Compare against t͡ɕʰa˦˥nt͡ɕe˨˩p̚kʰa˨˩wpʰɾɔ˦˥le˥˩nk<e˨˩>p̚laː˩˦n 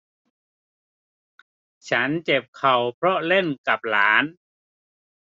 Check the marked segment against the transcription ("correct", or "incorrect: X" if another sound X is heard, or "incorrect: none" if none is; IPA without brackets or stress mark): incorrect: a˨˩